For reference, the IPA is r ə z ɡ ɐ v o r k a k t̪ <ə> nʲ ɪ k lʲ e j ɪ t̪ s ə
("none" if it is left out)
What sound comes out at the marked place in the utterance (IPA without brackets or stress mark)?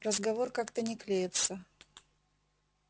ə